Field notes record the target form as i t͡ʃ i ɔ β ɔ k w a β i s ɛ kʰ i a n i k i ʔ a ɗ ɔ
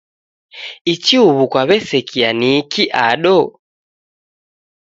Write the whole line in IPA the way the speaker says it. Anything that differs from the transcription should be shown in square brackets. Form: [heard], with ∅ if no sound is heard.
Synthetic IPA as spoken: i t͡ʃ i [u] β [u] k w a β [ɛ] s ɛ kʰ i a n i k i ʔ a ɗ ɔ

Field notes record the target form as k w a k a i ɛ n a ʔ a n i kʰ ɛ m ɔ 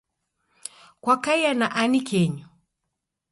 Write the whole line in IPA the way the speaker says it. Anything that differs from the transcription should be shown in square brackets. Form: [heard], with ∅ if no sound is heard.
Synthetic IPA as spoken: k w a k a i [a] n a ʔ a n i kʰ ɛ [ɲ] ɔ

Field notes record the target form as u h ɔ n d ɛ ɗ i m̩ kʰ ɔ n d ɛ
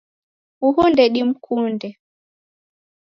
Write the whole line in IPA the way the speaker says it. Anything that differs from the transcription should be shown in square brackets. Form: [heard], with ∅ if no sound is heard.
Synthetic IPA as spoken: u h [u] n d ɛ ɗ i m̩ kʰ [u] n d ɛ

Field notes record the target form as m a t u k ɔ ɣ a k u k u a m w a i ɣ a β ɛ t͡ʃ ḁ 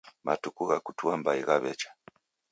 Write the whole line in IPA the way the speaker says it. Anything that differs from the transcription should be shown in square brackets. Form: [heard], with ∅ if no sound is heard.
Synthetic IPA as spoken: m a t u k [u] ɣ a k u [t] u a m [b] a i ɣ a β ɛ t͡ʃ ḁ

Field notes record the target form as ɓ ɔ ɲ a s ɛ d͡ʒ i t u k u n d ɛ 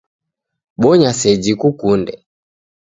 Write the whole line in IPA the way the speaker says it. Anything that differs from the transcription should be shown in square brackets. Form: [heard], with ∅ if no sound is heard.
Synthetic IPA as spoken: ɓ ɔ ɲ a s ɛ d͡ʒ i [k] u k u n d ɛ

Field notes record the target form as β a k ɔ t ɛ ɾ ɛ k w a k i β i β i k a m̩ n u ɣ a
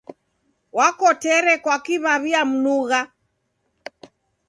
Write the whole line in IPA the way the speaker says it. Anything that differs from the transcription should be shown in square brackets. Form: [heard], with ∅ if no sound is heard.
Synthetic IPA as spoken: [w] a k ɔ t ɛ ɾ ɛ k w a k i β [a] β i [∅] a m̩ n u ɣ a

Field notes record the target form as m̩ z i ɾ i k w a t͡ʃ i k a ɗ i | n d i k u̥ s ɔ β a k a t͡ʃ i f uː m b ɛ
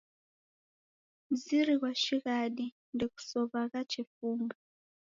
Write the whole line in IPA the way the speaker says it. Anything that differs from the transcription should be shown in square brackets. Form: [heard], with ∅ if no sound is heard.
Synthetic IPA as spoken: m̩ z i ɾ i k w a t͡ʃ i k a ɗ i | n d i k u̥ s ɔ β a k a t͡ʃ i f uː m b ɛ

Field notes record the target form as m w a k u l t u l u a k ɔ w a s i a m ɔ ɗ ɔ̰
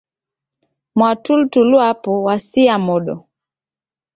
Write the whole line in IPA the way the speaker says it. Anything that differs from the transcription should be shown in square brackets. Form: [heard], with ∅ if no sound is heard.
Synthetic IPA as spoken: m w a [t] u l t u l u a [p] ɔ w a s i a m ɔ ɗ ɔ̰

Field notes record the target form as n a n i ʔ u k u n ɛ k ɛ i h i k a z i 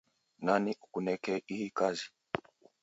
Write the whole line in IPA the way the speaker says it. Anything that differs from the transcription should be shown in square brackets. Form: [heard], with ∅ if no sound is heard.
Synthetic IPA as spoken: n a n i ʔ u k u n ɛ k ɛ i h i k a z i

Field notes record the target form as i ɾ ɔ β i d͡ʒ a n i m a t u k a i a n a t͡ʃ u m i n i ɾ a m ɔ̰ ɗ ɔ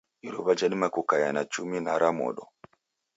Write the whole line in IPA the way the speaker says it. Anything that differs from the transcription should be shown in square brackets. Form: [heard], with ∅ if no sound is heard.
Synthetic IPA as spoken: i ɾ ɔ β [a] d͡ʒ a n i m a [k] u k a [j] a n a t͡ʃ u m i n [a] ɾ a m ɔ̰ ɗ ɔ

